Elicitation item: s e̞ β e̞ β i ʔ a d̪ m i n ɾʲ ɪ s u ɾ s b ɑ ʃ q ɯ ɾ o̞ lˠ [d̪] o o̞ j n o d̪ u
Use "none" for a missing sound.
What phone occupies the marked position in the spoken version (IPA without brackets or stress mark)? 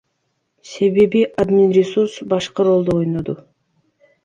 d̪